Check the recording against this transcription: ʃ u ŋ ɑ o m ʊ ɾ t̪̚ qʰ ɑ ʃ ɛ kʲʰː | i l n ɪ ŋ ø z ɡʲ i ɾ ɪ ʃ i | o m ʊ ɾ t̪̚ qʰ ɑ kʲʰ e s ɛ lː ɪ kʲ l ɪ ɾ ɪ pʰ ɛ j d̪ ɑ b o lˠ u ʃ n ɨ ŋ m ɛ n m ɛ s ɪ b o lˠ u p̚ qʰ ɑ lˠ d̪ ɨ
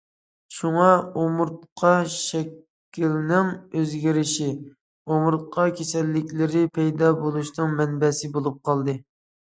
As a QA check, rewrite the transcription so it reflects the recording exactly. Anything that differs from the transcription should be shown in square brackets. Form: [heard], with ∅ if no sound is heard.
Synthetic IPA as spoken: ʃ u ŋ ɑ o m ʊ ɾ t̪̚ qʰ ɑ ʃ ɛ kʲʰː | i l n ɪ ŋ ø z ɡʲ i ɾ ɪ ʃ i | o m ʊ ɾ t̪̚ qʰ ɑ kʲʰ e s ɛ lː ɪ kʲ l ɪ ɾ ɪ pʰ ɛ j d̪ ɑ b o lˠ u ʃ n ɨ ŋ m ɛ n [b] ɛ s ɪ b o lˠ u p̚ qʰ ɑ lˠ d̪ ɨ